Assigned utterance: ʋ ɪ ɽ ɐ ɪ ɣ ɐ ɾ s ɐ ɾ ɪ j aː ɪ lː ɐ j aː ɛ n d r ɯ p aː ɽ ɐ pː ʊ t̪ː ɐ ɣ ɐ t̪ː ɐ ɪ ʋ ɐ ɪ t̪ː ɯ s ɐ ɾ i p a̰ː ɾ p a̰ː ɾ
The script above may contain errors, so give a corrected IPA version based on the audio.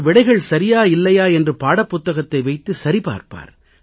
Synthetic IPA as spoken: ʋ ɪ ɽ ɐ ɪ ɣ ɐ ɭ s ɐ ɾ ɪ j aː ɪ lː ɐ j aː ɛ n d r ɯ p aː ɽ ɐ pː ʊ t̪ː ɐ ɣ ɐ t̪ː ɐ ɪ ʋ ɐ ɪ t̪ː ɯ s ɐ ɾ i p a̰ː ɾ p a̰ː ɾ

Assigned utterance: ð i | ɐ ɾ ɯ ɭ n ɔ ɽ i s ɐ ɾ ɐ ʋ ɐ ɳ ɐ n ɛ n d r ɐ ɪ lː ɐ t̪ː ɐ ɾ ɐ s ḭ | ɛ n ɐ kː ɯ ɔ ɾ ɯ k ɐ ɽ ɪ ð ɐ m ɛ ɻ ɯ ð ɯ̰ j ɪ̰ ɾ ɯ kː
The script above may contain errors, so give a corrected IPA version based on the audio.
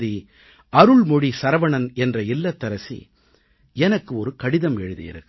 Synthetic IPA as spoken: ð i | ɐ ɾ ɯ ɭ m ɔ ɽ i s ɐ ɾ ɐ ʋ ɐ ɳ ɐ n ɛ n d r ɐ ɪ lː ɐ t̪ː ɐ ɾ ɐ s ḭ | ɛ n ɐ kː ɯ ɔ ɾ ɯ k ɐ ɽ ɪ ð ɐ m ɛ ɻ ɯ ð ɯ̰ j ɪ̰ ɾ ɯ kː

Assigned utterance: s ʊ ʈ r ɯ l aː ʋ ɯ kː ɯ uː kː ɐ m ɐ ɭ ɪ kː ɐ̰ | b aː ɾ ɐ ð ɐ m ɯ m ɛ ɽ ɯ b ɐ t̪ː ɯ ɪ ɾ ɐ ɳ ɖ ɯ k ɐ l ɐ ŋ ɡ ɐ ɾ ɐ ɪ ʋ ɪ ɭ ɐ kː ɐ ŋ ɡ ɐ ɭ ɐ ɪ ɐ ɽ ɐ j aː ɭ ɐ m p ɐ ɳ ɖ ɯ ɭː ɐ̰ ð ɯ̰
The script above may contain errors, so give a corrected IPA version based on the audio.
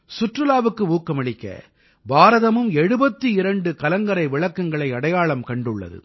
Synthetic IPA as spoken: s ʊ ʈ r ɯ l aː ʋ ɯ kː ɯ uː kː ɐ m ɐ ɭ ɪ kː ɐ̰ | b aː ɾ ɐ ð ɐ m ɯ m ɛ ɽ ɯ b ɐ t̪ː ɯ ɪ ɾ ɐ ɳ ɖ ɯ k ɐ l ɐ ŋ ɡ ɐ ɾ ɐ ɪ ʋ ɪ ɭ ɐ kː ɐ ŋ ɡ ɐ ɭ ɐ ɪ ɐ ɽ ɐ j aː ɭ ɐ m k ɐ ɳ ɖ ɯ ɭː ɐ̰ ð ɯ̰

